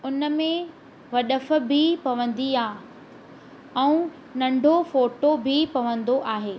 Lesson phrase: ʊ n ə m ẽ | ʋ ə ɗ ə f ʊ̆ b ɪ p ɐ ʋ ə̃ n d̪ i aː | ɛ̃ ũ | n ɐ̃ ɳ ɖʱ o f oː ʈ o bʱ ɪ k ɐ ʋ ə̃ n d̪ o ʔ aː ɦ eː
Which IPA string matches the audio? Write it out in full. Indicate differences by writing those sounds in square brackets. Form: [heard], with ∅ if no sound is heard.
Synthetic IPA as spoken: ʊ n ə m ẽ | ʋ [ɐ] ɗ ə f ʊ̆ b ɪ p ɐ ʋ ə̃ n d̪ i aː | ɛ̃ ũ | n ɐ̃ ɳ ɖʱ o f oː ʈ o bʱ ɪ [p] ɐ ʋ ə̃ n d̪ o ʔ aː ɦ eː